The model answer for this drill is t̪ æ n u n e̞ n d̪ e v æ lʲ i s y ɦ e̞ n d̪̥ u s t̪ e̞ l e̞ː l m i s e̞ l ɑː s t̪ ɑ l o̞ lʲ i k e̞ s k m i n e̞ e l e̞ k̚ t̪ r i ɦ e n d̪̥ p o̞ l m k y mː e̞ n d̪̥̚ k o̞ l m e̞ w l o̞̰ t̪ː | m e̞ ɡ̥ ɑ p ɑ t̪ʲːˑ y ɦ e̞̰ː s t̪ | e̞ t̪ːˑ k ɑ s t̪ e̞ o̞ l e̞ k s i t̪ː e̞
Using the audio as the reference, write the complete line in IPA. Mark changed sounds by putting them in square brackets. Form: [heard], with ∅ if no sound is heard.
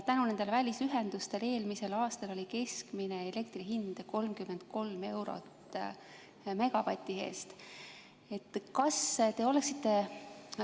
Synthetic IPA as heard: t̪ æ n u n e̞ n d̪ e v æ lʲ i s y ɦ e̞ n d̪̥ u s t̪ e̞ l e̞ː l m i s e̞ l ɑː s t̪ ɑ l o̞ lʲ i k e̞ s k m i n e̞ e l e̞ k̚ t̪ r i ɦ [i] n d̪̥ [k] o̞ l m k y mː e̞ n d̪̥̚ k o̞ l m e̞ w [ɾ] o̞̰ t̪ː | m e̞ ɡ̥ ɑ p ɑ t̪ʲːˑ [i] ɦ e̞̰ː s t̪ | e̞ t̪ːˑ k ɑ s t̪ e̞ o̞ l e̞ k s i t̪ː e̞